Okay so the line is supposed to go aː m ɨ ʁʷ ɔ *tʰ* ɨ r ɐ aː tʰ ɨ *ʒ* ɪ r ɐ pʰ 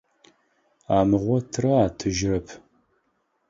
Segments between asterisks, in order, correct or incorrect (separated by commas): correct, correct